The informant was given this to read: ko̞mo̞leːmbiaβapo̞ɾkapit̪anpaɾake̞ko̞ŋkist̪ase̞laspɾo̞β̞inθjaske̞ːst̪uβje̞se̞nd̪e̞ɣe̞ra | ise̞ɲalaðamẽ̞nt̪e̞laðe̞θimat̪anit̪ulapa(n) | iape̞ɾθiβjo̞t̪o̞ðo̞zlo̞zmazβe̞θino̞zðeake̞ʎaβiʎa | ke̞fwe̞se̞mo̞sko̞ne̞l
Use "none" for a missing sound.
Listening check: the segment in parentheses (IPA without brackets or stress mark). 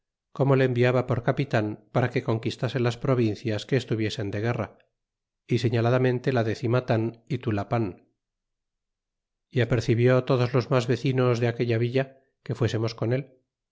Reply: n